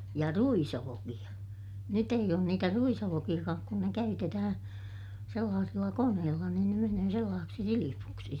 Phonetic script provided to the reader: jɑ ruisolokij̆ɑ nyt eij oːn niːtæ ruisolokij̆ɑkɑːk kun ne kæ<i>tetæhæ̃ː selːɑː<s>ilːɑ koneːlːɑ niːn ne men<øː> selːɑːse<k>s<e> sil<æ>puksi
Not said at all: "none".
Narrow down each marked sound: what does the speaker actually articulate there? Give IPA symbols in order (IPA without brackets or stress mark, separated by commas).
y, s, øː, k, i, i